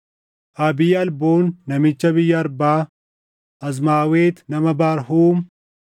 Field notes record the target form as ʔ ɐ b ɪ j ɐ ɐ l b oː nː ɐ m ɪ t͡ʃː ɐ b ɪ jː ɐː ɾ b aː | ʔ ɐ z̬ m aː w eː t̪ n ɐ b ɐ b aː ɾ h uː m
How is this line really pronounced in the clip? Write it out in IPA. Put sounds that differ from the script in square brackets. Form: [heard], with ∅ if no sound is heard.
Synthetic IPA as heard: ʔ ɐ b ɪ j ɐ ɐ l b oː nː ɐ m ɪ t͡ʃː ɐ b ɪ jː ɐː ɾ b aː | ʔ ɐ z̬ m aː w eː t̪ n ɐ [m] ɐ b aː ɾ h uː m